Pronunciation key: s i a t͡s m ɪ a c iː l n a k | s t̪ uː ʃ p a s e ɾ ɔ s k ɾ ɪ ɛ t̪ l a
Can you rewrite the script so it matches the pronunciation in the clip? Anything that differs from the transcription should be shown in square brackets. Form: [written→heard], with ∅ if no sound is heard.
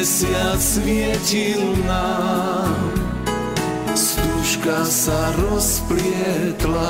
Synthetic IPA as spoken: s [i→ɪ] a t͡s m ɪ [a→ɛ] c [iː→i] l n a [k→∅] | s t̪ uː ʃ [p→k] a s [e→a] ɾ ɔ s [k→p] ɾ ɪ ɛ t̪ l a